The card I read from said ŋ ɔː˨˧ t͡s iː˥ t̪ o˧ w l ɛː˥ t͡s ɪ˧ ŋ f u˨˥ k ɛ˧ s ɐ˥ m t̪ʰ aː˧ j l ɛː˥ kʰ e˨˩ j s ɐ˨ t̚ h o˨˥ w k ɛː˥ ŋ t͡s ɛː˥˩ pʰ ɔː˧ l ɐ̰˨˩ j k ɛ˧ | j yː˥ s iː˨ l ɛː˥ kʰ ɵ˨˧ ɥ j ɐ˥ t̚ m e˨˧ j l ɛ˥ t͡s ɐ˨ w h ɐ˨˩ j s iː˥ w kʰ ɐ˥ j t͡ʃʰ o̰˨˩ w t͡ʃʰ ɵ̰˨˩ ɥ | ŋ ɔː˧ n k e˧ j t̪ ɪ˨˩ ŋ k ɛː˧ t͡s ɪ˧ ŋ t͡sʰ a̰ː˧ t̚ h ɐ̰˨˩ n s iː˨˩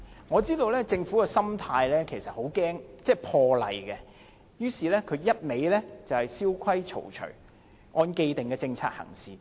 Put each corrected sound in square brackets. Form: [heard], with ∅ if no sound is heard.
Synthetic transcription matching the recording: ŋ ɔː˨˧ t͡s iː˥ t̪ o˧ w l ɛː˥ t͡s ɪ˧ ŋ f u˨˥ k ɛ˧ s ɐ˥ m t̪ʰ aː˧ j l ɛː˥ kʰ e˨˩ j s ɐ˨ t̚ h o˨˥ w k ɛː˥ ŋ t͡s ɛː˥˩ pʰ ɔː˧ l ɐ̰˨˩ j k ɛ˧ | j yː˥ s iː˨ l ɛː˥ kʰ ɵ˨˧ ɥ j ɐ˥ t̚ m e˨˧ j l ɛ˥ t͡s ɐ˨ w h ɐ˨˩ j s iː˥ w kʰ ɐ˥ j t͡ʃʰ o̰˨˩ w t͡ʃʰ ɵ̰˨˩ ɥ | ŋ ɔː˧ n k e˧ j t̪ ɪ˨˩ ŋ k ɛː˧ t͡s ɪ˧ ŋ t͡sʰ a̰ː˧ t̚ h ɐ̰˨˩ [ŋ] s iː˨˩